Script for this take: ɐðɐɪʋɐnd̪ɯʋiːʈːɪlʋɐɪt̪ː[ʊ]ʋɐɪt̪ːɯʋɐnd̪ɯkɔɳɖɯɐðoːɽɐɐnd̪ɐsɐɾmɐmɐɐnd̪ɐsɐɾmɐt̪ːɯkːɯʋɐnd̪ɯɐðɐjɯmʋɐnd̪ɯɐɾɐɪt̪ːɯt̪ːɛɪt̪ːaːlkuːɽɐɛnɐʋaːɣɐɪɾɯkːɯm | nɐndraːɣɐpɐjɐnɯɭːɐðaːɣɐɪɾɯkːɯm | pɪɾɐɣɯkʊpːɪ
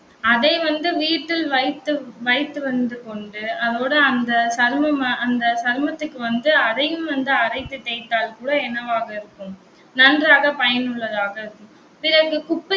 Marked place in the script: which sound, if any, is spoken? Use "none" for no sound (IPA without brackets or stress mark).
ɯ